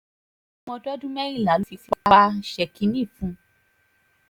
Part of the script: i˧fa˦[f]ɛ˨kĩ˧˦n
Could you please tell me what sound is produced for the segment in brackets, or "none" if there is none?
ʃ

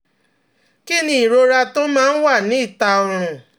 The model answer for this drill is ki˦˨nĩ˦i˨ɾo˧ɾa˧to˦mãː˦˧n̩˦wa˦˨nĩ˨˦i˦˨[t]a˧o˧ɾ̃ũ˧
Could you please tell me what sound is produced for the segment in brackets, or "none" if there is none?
t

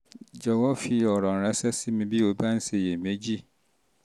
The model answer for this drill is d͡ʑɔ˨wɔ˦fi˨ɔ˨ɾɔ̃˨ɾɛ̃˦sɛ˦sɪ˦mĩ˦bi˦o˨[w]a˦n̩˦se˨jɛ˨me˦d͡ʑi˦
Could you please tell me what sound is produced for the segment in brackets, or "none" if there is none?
b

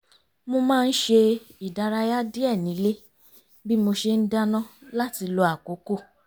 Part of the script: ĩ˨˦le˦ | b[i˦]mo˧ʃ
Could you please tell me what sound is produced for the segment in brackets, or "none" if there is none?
i˦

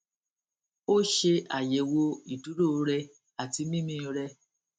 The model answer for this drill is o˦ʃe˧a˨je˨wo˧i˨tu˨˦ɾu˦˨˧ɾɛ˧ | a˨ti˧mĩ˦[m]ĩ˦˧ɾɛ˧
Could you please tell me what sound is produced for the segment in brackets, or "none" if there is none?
m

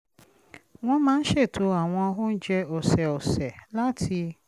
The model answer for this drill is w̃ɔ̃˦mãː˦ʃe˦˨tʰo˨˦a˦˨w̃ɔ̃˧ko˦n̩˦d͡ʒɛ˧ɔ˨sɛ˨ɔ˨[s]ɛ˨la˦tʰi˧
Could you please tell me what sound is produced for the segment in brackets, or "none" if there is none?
s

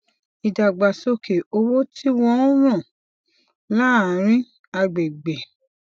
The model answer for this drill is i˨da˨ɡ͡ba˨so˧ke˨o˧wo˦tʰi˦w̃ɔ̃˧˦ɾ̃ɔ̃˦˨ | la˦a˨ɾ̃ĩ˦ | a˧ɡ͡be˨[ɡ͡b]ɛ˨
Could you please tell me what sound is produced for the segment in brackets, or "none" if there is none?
ɡ͡b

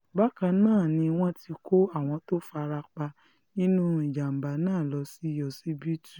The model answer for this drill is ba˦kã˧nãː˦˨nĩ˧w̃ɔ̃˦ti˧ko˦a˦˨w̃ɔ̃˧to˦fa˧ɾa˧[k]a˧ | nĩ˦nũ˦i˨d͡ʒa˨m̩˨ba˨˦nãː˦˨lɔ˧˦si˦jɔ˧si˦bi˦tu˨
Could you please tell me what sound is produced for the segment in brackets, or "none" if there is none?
k͡p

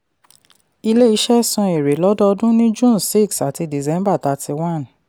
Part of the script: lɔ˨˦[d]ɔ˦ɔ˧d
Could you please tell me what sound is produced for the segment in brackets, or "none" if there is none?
d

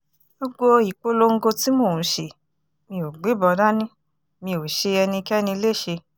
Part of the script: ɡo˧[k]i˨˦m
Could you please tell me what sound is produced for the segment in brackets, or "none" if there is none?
t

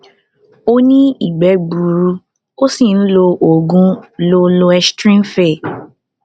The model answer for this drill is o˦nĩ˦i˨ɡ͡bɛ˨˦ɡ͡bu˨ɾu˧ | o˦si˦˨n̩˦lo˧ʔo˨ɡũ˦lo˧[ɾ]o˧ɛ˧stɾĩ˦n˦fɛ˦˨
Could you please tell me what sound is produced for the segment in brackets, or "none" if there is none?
l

